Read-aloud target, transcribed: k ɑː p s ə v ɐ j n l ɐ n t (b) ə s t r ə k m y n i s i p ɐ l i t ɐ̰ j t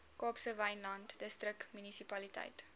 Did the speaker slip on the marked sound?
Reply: yes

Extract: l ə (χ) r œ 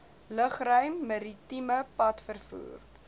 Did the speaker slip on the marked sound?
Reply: no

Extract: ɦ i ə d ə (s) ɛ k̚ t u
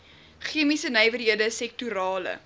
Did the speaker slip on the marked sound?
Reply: no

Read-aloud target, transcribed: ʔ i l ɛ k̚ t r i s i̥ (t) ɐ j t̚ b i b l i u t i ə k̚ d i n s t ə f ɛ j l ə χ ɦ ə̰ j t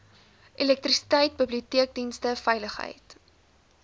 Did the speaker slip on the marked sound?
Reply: no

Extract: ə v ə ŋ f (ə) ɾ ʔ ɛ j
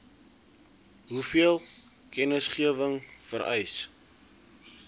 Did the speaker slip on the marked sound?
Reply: no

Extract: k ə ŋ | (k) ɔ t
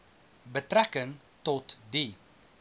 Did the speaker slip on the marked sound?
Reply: yes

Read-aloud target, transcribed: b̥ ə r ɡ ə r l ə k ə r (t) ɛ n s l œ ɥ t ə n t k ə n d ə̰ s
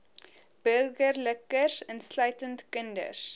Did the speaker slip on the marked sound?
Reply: yes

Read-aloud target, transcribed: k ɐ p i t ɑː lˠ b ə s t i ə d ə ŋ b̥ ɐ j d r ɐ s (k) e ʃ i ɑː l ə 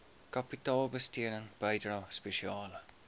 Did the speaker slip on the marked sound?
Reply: yes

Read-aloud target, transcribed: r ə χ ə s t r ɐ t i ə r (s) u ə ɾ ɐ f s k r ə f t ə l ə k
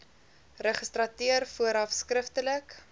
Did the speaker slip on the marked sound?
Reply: yes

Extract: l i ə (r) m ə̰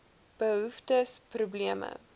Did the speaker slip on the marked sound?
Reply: yes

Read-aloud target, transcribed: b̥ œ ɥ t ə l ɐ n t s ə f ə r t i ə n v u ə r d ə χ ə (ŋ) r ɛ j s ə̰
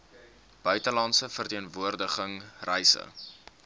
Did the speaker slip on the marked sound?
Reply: no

